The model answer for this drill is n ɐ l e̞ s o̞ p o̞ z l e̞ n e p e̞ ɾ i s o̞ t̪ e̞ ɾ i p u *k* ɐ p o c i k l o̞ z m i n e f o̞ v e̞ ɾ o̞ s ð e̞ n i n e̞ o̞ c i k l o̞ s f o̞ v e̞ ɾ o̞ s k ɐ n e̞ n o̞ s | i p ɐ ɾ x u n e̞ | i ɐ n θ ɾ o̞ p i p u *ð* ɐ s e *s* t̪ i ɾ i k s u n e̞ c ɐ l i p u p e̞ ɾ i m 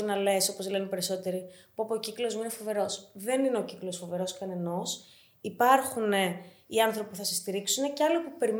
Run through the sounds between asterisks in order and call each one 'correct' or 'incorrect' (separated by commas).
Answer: incorrect, incorrect, correct